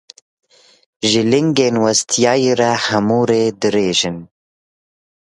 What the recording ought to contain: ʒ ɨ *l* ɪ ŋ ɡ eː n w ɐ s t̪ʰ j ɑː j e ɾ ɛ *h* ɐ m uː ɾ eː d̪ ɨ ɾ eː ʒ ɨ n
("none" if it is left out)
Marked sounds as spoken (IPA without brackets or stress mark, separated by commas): l, h